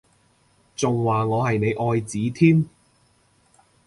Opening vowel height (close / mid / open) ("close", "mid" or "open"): close